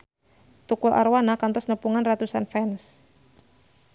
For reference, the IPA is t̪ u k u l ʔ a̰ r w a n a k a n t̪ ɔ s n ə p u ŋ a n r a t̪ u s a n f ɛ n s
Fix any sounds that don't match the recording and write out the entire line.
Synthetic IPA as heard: t̪ u k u l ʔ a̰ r w a n a k a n t̪ ɔ s n ə p u ŋ a n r a t̪ u s a n f ɛ n s